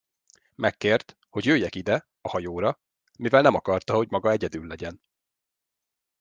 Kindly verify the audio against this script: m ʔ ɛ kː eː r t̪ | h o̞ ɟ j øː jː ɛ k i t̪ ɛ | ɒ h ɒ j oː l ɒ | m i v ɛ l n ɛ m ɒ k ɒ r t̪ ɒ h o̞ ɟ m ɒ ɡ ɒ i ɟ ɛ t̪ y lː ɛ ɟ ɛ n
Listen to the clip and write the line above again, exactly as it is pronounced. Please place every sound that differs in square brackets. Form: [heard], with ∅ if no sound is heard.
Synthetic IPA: m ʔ ɛ kː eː r t̪ | h o̞ ɟ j øː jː ɛ k i [d̪] ɛ | ɒ h ɒ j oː [ɾ] ɒ | m i v ɛ l n ɛ m ɒ k ɒ r t̪ ɒ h o̞ ɟ m ɒ ɡ ɒ [ɛ] ɟ ɛ [d̪] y lː ɛ ɟ ɛ n